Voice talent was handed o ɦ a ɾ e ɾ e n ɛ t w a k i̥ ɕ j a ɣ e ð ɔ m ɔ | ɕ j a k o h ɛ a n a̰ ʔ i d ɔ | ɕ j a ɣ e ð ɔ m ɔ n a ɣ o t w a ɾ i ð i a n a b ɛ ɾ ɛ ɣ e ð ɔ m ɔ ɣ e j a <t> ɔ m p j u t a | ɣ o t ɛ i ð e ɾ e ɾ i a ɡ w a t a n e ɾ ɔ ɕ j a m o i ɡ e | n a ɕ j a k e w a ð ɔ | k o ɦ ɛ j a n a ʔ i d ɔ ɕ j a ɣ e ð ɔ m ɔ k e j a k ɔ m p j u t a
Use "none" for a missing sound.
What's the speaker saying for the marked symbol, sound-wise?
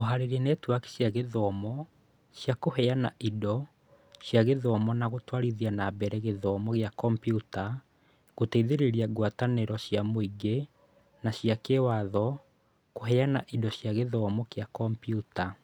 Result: k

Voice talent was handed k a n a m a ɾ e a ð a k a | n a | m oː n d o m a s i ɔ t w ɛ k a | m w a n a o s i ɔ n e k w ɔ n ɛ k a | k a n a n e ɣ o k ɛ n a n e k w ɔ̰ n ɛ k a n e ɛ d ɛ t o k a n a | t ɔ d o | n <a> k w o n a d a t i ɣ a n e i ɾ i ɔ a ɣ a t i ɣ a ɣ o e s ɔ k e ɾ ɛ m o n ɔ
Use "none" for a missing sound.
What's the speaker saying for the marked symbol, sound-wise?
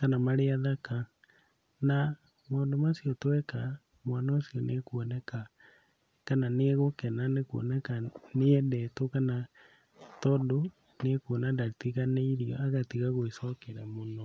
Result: e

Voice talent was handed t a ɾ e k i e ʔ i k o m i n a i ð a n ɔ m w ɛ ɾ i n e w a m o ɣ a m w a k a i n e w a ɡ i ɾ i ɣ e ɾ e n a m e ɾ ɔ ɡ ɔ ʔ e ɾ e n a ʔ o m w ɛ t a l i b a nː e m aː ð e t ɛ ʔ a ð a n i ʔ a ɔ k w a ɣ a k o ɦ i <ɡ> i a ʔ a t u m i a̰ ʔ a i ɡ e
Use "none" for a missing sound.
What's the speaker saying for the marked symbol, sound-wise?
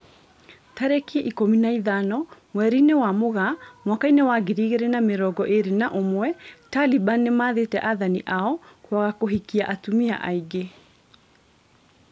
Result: k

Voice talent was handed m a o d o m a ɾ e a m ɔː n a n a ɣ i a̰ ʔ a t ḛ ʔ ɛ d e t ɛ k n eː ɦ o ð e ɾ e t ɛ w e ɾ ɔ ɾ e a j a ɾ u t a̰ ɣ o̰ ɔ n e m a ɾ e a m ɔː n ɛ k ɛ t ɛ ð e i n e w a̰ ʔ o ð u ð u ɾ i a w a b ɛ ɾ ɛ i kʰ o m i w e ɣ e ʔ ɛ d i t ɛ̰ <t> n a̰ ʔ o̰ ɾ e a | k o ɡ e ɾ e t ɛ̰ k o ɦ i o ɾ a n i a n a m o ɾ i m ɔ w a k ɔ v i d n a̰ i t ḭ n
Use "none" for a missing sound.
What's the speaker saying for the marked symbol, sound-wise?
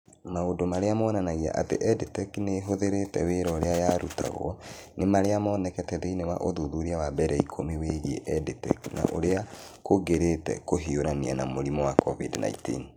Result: k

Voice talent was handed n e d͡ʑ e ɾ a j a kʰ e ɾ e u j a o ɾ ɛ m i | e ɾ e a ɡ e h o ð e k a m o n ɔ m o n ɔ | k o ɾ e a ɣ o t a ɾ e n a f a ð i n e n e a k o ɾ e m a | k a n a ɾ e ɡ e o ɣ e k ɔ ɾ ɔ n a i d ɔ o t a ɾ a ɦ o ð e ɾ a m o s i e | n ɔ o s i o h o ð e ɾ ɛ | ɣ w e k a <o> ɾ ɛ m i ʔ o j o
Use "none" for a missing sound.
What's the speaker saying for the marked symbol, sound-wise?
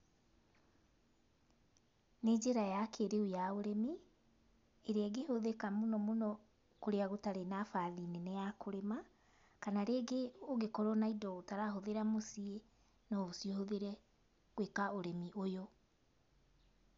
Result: o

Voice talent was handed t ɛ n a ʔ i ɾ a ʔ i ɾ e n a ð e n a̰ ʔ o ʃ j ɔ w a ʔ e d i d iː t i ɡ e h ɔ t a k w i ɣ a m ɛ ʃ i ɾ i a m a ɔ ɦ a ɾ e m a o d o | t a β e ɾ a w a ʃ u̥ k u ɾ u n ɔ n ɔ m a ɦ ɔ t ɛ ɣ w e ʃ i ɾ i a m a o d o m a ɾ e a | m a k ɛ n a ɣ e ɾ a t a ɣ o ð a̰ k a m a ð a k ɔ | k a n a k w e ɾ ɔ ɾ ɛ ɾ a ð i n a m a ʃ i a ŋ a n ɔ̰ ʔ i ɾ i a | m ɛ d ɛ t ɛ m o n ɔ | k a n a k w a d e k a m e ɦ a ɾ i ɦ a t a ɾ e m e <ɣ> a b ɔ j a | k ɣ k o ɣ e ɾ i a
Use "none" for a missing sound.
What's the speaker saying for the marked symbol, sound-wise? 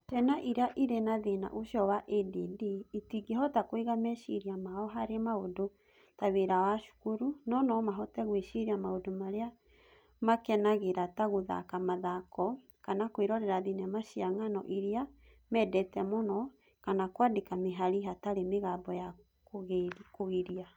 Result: ɣ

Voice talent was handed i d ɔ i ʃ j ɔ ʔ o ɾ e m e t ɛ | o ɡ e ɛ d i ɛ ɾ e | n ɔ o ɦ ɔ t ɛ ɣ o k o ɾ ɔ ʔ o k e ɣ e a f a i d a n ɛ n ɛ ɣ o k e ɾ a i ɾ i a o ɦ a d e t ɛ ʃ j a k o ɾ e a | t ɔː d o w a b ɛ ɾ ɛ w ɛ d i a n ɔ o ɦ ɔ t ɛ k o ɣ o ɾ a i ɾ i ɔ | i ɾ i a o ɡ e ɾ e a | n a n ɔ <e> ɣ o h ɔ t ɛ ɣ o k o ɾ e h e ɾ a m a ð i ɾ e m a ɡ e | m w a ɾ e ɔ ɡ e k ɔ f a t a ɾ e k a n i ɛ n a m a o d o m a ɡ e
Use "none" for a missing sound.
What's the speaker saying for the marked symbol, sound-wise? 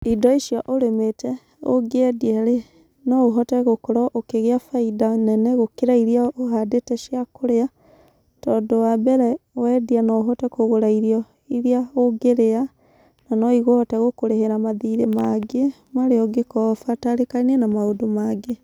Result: i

